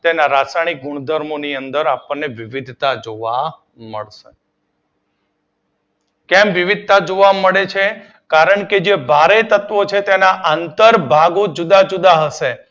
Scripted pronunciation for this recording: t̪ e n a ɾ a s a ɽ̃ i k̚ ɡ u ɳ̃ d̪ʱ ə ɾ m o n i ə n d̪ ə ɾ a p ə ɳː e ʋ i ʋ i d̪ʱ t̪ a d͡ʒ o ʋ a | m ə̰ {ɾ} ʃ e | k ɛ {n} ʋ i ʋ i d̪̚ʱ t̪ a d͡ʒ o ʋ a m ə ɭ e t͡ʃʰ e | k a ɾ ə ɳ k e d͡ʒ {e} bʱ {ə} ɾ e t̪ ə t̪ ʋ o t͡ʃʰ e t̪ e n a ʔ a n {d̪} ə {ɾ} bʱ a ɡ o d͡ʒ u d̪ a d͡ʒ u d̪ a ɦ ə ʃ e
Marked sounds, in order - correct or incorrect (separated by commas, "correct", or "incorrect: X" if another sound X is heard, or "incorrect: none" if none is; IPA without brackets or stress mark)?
incorrect: ɭ, incorrect: m, correct, incorrect: a, incorrect: t̪, correct